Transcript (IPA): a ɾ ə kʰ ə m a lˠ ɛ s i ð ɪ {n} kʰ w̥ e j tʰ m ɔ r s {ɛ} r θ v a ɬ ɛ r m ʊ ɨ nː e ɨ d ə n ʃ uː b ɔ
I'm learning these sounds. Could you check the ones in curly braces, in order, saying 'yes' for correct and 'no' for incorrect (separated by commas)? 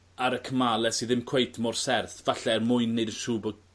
no, yes